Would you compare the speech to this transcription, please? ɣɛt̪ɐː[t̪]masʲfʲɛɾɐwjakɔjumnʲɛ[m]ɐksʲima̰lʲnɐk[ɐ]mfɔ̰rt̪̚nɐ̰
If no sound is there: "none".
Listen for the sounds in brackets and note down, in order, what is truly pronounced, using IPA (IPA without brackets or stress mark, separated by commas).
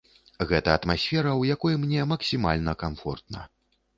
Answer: t̪, m, a